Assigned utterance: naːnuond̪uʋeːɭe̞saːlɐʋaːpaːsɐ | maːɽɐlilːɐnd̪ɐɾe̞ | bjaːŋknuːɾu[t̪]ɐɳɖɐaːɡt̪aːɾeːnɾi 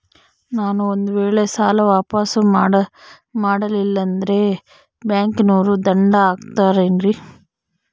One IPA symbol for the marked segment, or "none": d̪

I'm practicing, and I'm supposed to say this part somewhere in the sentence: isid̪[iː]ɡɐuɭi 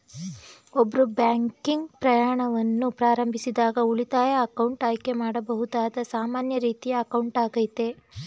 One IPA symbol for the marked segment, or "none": aː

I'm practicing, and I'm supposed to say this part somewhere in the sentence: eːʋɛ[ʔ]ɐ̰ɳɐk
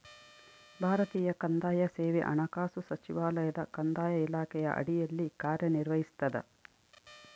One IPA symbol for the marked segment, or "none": ʔ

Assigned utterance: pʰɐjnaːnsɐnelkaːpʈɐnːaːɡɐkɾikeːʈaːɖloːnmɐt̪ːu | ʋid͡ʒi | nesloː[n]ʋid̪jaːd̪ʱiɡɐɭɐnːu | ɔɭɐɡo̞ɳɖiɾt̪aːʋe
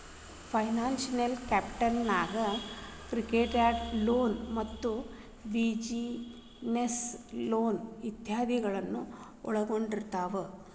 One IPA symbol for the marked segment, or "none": n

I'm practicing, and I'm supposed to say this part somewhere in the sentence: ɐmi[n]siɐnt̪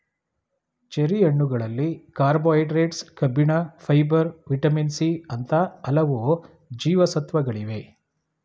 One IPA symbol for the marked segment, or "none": n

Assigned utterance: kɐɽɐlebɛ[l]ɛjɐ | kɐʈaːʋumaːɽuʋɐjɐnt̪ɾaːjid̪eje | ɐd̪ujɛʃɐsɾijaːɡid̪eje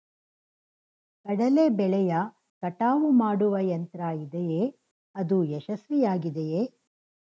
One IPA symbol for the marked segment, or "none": ɭ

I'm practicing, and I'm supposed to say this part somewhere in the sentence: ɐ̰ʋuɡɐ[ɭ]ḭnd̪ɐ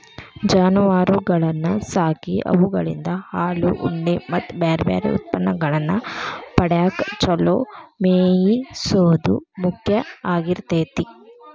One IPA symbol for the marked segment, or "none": ɭ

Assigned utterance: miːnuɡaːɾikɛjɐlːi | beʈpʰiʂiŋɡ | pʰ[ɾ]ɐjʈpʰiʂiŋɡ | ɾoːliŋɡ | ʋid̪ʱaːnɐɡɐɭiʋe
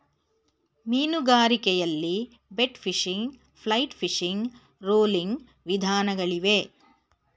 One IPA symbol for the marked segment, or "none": l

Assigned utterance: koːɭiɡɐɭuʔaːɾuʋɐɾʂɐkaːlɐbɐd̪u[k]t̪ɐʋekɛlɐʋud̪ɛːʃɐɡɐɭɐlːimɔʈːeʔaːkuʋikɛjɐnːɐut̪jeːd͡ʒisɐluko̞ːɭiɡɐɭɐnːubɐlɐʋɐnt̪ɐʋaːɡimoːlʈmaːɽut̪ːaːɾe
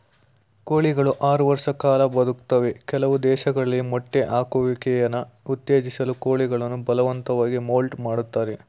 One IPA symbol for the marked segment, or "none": k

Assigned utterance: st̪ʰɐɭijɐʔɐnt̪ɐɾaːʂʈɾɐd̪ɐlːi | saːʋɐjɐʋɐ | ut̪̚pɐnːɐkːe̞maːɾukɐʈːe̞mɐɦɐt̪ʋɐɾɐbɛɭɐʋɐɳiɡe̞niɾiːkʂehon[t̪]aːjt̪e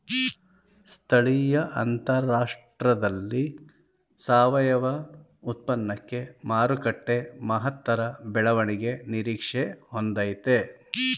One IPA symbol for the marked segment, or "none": d̪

